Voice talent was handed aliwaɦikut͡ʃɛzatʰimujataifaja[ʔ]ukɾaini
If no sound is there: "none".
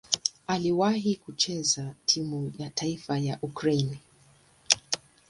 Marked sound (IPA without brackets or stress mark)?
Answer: ʔ